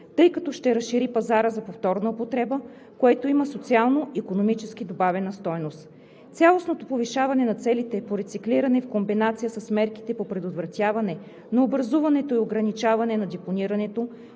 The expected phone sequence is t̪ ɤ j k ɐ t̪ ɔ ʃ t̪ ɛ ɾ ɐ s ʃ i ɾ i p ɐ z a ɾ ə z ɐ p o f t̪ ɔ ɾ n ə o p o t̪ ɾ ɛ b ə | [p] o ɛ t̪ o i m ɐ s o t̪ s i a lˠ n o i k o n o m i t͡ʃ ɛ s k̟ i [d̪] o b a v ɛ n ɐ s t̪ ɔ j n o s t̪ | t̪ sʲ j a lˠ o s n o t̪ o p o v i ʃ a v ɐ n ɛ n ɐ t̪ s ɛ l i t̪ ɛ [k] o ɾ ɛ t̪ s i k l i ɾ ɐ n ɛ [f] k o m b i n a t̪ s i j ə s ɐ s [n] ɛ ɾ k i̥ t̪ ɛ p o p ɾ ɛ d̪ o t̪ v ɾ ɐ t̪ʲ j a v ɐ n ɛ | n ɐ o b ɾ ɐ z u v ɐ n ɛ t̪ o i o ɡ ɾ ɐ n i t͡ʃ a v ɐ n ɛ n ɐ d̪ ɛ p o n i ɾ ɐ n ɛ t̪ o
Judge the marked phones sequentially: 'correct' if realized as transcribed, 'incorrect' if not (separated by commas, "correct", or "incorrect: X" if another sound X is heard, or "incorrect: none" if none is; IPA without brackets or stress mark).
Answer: incorrect: k, correct, incorrect: p, correct, incorrect: m